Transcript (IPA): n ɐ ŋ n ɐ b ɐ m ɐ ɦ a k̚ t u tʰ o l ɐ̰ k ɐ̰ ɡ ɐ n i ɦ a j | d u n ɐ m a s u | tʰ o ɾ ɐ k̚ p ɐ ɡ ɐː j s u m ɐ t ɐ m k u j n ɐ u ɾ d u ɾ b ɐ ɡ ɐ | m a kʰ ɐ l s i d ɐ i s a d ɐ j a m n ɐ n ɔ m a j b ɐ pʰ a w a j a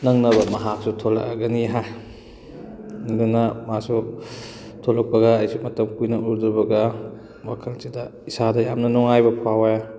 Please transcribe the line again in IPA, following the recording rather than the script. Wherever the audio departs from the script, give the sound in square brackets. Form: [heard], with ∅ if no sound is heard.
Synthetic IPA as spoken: n ɐ ŋ n ɐ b ɐ m ɐ ɦ a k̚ [s] u tʰ o l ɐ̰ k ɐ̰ ɡ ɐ n i ɦ a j | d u n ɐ m a s u | tʰ o [l] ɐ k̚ p ɐ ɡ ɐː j s u m ɐ t ɐ m k u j n ɐ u ɾ d u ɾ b ɐ ɡ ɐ | m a kʰ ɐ l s i d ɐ i s a d ɐ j a m n ɐ n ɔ [ŋ] a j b ɐ pʰ a w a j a